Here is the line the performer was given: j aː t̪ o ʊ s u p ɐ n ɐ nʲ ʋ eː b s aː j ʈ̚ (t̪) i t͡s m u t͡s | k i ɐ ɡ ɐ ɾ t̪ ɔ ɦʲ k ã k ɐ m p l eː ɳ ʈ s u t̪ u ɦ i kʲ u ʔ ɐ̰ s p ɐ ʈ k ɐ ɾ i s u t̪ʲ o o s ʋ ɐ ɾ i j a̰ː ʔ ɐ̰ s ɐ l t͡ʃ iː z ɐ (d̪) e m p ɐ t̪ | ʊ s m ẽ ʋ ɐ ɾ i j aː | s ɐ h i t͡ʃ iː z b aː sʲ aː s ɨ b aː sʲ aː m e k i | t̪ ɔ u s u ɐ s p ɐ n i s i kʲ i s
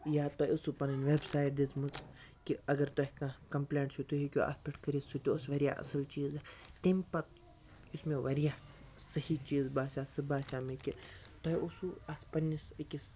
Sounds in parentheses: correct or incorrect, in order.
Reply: incorrect, incorrect

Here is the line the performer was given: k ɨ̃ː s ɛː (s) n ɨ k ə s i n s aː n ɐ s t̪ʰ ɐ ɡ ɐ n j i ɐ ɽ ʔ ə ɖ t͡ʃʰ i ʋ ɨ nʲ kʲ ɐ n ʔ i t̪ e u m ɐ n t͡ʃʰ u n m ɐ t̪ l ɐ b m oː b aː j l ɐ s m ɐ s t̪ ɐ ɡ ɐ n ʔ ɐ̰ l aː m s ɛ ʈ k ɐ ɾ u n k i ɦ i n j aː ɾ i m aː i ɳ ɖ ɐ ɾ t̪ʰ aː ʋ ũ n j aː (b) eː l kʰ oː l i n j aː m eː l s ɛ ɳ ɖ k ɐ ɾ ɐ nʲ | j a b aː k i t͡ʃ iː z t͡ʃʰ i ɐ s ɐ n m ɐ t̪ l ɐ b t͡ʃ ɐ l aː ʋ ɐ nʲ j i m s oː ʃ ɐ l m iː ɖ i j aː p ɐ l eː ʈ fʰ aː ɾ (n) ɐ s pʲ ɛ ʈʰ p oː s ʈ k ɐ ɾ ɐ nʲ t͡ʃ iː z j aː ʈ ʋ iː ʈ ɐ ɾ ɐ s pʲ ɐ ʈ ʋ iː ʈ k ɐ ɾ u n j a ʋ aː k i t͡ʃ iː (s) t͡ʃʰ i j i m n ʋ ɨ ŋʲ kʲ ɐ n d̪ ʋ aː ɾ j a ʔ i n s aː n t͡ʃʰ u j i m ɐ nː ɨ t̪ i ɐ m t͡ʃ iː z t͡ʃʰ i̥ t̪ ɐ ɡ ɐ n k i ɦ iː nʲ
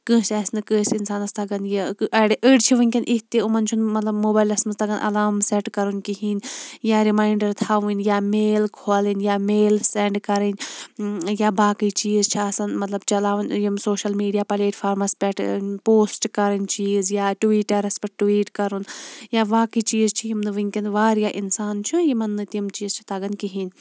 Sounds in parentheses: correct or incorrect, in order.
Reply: correct, incorrect, incorrect, incorrect

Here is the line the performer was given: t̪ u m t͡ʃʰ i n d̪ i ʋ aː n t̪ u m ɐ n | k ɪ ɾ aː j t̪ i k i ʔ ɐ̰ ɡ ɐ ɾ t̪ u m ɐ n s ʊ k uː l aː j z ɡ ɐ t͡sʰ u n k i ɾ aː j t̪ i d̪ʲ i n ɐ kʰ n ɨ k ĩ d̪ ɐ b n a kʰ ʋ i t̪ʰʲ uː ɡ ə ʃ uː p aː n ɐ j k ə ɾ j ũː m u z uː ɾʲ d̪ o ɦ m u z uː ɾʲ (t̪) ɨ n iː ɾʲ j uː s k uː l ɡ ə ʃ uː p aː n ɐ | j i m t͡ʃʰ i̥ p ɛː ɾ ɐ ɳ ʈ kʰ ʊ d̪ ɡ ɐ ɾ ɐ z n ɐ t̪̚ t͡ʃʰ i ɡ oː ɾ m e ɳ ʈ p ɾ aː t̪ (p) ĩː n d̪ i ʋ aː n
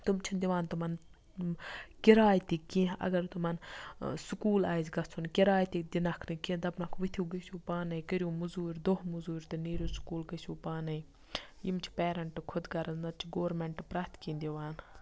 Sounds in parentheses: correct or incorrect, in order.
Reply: correct, incorrect

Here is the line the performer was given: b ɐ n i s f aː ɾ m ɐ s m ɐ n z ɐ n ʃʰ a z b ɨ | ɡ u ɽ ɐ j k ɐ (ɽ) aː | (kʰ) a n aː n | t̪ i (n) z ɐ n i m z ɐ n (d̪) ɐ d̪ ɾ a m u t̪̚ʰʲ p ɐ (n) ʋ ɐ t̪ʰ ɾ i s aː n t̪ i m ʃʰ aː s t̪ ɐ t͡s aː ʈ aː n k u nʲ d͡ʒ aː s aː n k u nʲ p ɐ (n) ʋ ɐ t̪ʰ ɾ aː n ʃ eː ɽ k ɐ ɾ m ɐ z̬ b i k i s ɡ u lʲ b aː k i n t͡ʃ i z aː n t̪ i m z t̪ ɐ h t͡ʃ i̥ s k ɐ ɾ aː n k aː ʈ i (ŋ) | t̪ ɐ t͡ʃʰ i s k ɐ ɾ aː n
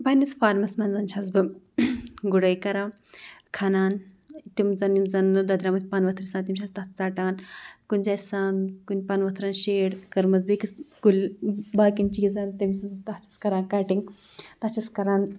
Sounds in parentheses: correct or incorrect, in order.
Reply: incorrect, correct, incorrect, correct, correct, correct, correct

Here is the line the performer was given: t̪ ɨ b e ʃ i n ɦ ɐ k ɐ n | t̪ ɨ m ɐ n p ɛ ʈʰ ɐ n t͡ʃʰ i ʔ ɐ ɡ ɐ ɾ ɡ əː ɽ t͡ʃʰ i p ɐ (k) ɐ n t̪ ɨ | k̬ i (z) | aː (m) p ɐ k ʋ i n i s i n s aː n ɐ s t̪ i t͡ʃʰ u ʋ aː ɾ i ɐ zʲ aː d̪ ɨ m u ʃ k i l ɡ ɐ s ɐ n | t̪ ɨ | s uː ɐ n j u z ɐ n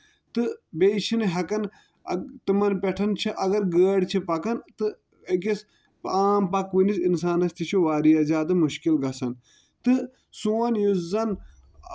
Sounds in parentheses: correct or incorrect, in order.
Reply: correct, incorrect, correct

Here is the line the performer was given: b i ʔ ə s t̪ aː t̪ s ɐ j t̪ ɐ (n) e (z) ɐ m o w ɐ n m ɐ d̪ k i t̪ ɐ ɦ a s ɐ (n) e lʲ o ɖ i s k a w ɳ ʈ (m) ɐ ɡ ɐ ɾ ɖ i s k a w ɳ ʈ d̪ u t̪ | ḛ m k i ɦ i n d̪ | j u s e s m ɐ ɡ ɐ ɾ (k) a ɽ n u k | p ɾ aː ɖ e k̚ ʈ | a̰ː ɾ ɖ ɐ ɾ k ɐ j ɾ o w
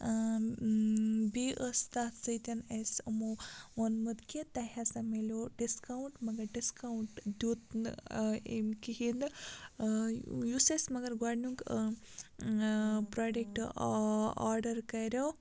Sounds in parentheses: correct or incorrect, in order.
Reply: correct, incorrect, incorrect, correct, incorrect

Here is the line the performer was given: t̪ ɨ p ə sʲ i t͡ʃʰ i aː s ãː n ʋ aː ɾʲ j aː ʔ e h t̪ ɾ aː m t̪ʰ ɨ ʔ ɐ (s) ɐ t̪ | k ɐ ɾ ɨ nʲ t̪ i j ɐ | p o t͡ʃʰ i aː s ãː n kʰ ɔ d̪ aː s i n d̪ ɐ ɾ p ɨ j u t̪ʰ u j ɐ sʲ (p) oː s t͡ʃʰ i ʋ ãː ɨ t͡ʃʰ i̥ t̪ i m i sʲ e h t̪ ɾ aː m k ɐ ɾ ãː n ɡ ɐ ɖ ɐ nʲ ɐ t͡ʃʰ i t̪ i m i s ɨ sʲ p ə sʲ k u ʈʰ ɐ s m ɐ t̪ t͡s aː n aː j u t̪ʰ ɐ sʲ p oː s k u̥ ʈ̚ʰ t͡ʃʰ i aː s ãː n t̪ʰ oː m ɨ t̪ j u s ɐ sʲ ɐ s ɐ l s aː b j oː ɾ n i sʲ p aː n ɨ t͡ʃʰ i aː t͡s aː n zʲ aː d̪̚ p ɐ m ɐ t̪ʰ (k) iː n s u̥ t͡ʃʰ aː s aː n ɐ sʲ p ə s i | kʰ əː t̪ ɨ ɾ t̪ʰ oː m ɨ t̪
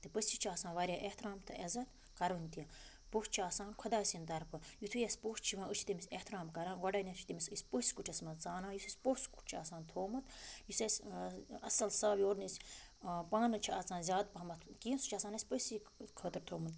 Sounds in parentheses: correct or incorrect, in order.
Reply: incorrect, correct, correct

